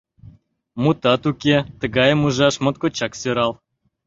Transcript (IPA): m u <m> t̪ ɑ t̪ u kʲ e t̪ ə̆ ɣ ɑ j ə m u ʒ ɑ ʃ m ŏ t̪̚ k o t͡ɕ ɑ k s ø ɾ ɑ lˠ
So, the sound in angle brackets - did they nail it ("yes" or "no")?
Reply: no